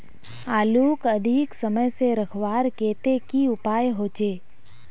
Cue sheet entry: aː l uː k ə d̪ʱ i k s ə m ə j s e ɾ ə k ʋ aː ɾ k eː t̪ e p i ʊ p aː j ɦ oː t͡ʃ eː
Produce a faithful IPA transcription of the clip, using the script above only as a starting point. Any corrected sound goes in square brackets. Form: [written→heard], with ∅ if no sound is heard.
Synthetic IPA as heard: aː l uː k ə d̪ʱ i k s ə m ə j s e ɾ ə [k→kʰ] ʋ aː ɾ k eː t̪ e [p→k] i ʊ p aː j ɦ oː t͡ʃ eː